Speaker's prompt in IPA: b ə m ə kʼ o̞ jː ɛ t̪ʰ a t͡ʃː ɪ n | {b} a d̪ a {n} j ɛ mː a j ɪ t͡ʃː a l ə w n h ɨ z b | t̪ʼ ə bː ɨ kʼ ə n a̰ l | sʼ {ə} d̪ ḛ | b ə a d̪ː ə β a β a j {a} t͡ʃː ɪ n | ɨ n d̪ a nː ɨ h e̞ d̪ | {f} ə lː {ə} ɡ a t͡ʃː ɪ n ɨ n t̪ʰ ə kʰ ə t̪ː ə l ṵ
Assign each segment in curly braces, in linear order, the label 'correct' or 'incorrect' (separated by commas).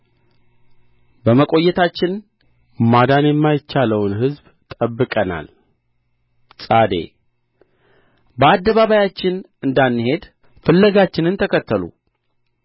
incorrect, correct, incorrect, correct, correct, correct